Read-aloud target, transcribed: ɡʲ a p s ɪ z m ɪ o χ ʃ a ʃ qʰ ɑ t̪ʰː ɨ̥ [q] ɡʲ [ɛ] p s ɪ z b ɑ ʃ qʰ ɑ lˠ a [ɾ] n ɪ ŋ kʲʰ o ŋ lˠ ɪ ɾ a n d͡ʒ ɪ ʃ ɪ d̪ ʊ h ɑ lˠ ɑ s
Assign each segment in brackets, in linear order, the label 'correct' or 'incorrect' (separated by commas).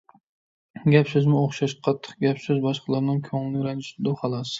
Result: correct, incorrect, correct